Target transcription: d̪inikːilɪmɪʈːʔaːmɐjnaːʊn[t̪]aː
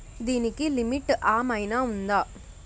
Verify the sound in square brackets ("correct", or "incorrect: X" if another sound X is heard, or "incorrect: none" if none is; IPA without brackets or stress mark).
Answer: incorrect: d̪